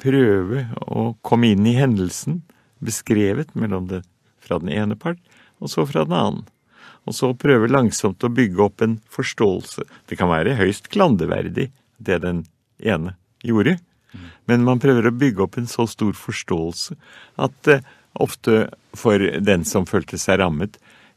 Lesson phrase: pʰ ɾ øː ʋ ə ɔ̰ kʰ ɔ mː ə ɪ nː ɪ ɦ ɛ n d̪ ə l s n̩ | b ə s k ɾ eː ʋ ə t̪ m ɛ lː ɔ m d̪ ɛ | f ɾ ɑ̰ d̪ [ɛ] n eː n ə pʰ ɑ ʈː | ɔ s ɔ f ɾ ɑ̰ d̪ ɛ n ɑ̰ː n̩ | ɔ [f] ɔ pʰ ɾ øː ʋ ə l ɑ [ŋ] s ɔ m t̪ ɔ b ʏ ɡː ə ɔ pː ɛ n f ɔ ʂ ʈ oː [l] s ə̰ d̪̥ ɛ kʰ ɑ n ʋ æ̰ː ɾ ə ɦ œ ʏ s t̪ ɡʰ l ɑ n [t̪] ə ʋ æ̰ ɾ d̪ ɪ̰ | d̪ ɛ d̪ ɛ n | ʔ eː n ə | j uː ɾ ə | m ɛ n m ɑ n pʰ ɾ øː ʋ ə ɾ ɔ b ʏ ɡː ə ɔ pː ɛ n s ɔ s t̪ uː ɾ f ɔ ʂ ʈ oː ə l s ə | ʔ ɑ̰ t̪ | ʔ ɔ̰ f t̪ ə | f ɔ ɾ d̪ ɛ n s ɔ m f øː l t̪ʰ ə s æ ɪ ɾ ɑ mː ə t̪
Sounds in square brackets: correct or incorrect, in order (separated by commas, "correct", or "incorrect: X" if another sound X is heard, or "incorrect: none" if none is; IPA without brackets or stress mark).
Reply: correct, incorrect: s, correct, correct, incorrect: d̪